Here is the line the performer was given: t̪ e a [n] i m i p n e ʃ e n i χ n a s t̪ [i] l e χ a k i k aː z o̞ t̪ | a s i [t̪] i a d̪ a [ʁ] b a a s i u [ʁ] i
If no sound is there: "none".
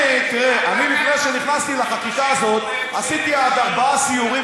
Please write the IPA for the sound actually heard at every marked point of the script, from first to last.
n, i, t̪, ʁ, ʁ

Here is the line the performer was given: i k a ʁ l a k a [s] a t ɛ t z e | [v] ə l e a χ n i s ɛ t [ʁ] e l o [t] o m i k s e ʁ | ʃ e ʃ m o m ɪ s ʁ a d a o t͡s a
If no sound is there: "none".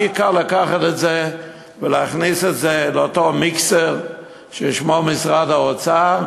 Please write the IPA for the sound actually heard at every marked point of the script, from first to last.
χ, v, z, t

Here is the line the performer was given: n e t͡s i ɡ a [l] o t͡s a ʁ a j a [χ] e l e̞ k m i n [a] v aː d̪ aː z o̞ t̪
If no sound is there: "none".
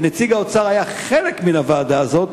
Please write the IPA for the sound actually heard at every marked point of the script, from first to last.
none, χ, a

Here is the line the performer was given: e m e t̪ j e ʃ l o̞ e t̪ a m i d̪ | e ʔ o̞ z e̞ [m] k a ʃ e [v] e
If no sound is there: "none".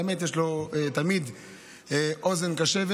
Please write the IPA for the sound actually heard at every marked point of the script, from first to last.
n, v

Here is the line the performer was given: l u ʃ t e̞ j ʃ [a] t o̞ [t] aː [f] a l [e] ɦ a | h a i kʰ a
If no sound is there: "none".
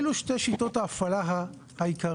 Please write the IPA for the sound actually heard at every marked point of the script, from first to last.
i, t, f, a

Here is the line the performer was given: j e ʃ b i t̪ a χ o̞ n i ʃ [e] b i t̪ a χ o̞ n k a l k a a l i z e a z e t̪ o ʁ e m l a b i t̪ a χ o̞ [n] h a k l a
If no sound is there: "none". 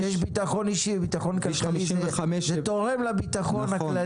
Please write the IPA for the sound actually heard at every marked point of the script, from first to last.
i, n

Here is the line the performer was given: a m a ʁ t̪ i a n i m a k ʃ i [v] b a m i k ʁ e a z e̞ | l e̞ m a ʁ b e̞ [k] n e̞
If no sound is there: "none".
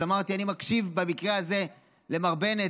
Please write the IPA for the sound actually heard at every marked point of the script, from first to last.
v, none

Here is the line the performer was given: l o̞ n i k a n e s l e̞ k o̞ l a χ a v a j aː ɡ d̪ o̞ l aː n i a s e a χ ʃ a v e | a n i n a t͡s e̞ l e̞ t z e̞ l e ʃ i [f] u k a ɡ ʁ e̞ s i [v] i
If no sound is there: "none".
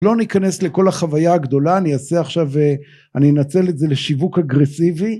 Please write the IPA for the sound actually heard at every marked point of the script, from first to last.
v, v

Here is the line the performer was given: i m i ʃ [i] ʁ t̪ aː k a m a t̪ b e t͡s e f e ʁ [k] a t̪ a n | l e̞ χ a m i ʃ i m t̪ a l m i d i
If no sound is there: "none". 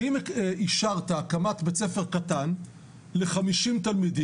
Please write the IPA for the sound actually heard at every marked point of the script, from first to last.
a, k

